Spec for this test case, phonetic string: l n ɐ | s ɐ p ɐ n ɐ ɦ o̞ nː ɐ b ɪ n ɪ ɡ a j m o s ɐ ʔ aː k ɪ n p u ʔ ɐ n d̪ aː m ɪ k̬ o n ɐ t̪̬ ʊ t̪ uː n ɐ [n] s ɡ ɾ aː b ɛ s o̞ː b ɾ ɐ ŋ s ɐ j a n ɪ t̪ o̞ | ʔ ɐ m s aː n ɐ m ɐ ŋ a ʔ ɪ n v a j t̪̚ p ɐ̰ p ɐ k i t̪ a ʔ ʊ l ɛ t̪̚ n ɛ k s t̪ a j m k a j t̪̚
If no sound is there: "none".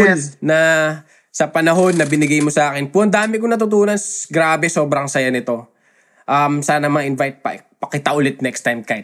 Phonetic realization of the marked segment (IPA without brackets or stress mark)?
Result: n